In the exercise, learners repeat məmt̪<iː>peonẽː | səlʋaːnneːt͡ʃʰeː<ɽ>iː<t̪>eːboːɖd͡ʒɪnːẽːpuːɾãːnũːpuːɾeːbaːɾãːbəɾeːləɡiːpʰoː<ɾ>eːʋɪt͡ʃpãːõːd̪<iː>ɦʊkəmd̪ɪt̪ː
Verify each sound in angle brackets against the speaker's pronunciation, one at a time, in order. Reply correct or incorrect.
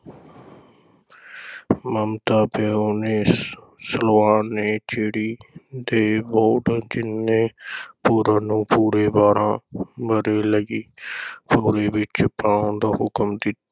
incorrect, correct, incorrect, correct, incorrect

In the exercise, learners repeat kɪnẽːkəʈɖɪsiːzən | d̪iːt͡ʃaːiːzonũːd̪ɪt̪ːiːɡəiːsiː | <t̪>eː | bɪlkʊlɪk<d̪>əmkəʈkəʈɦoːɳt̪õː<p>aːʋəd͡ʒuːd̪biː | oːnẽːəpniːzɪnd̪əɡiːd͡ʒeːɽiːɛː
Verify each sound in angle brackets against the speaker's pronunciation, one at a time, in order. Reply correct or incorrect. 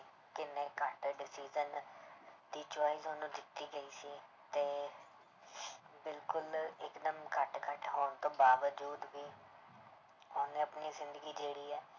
correct, correct, incorrect

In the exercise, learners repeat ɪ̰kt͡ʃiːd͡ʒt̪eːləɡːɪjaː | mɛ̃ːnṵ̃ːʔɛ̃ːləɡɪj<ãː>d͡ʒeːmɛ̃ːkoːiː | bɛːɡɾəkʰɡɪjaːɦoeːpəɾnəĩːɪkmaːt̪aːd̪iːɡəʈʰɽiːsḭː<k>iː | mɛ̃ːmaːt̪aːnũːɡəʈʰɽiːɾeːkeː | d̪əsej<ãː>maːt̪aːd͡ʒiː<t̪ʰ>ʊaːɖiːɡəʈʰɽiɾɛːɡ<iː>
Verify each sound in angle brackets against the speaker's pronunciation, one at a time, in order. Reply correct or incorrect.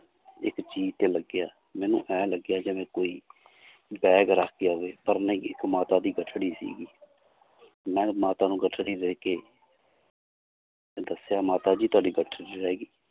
incorrect, incorrect, incorrect, incorrect, correct

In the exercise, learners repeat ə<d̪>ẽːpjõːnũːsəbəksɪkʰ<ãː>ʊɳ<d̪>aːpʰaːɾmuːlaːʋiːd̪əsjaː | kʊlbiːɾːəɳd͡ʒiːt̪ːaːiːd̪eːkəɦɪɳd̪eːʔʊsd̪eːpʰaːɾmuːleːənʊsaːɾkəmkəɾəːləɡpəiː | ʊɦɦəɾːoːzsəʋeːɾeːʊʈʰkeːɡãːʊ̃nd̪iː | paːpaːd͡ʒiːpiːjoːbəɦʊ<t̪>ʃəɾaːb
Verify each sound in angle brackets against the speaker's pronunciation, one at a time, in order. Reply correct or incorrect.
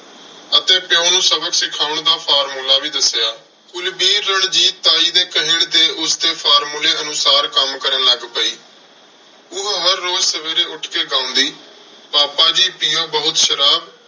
incorrect, incorrect, correct, correct

